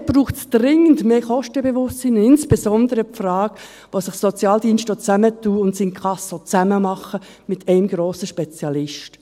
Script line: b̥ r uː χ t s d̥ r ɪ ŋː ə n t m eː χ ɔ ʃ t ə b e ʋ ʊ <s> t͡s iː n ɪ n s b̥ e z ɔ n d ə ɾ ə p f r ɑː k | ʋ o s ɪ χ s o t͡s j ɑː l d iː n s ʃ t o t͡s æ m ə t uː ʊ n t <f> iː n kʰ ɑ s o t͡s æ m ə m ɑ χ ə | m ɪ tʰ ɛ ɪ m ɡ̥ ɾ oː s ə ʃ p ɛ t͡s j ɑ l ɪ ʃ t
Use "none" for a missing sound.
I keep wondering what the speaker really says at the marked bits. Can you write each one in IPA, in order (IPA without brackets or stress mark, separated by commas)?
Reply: s, s